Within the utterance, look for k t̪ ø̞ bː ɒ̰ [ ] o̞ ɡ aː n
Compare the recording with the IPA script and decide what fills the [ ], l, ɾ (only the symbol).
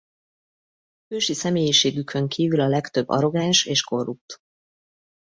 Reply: ɾ